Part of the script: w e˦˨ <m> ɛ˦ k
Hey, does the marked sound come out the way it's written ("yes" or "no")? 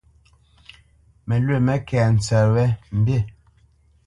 yes